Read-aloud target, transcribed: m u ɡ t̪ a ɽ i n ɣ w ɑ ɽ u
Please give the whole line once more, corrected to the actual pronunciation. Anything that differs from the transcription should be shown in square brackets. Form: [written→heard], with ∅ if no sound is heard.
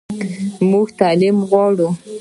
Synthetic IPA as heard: m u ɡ t̪ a [ɽ→l] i [n→m] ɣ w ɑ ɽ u